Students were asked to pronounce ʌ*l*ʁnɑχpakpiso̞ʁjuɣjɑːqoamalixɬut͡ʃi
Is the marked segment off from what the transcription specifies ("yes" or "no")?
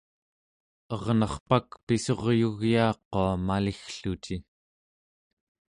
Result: yes